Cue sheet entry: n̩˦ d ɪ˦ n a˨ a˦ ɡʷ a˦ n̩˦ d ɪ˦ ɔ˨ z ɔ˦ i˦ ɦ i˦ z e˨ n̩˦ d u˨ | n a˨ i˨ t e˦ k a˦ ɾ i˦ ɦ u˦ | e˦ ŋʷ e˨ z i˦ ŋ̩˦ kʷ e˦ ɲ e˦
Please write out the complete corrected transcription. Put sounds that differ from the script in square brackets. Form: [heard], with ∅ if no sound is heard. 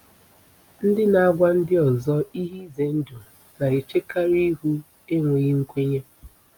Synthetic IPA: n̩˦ d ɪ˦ n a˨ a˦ ɡʷ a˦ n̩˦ d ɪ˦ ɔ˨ z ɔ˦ i˦ ɦ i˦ z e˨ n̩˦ d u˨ | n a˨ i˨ [t͡ʃ] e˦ k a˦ ɾ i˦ ɦ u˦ | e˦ ŋʷ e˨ [ɣ] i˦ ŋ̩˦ kʷ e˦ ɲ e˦